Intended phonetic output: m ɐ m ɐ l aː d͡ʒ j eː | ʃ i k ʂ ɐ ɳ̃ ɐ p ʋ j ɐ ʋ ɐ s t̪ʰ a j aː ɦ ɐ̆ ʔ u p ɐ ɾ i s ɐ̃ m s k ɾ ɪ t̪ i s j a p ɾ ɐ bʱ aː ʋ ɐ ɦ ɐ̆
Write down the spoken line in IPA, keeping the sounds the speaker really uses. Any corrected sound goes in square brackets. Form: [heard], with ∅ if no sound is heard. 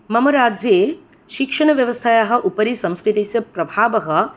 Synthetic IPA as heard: m ɐ m ɐ [ɾ] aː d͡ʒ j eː | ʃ i k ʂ ɐ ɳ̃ ɐ [∅] ʋ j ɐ ʋ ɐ s t̪ʰ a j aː ɦ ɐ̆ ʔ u p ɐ ɾ i s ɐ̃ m s k ɾ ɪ t̪ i s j [ɐ] p ɾ ɐ bʱ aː ʋ ɐ ɦ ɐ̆